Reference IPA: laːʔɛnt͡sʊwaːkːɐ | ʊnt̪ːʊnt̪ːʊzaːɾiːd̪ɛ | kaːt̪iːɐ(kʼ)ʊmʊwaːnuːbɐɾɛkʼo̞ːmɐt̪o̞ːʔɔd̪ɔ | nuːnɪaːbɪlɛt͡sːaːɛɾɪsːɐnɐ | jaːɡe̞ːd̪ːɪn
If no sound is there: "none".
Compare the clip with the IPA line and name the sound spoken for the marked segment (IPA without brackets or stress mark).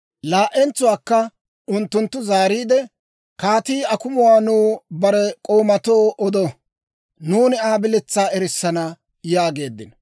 k